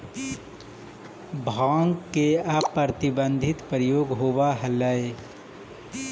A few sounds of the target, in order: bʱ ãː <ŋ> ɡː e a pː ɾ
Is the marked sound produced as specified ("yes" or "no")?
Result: yes